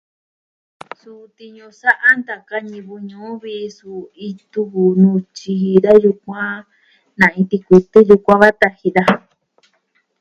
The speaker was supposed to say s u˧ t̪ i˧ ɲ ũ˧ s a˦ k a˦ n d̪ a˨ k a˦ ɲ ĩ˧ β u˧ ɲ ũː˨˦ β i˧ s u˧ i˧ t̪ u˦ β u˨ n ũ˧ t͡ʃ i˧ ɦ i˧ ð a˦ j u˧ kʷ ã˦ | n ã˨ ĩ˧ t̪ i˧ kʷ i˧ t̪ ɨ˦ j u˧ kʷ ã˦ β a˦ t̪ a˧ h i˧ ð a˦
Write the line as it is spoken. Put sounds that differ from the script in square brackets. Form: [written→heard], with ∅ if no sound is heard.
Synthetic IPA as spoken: s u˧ t̪ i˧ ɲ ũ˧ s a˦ [k→ʔ] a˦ n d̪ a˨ k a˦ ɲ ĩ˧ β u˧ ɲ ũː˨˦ β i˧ s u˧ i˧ t̪ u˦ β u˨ n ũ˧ t͡ʃ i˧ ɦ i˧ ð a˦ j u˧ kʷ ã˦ | n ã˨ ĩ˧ t̪ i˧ kʷ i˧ t̪ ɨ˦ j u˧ kʷ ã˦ β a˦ t̪ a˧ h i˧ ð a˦